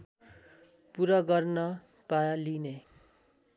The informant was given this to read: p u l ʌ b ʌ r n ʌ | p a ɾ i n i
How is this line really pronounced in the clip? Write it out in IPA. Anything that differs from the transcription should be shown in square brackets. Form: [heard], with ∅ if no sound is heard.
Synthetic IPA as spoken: p u [ɾ] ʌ [ɡ] ʌ r n ʌ | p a [l] i n [e]